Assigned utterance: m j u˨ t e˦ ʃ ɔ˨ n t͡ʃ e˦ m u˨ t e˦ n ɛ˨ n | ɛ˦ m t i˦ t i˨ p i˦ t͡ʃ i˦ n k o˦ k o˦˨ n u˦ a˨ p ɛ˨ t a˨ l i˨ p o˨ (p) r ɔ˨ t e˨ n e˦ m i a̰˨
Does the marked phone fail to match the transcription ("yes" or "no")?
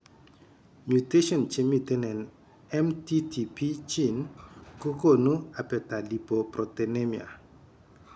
no